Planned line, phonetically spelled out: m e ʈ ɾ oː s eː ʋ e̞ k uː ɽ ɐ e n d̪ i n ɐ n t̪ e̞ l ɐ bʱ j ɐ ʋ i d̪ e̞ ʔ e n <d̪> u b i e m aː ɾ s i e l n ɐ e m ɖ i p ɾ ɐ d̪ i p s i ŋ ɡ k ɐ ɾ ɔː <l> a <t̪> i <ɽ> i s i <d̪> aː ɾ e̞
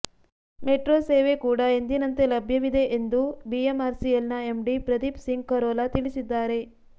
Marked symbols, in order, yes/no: yes, yes, yes, no, no

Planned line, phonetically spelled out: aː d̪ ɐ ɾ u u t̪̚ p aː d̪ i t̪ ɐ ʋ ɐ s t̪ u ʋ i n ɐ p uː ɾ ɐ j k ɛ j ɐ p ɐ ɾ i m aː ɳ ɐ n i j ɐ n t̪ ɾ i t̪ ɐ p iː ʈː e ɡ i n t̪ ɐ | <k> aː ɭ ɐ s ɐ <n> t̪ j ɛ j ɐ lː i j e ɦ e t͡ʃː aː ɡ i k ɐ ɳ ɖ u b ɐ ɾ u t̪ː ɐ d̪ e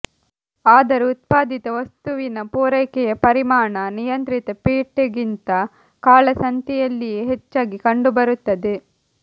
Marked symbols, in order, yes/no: yes, yes

